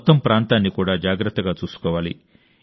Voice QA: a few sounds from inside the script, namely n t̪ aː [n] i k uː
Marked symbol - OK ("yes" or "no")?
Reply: no